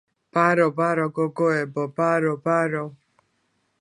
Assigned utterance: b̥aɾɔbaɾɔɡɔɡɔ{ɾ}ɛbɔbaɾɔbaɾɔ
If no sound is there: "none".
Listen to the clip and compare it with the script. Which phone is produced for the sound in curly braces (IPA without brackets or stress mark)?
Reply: none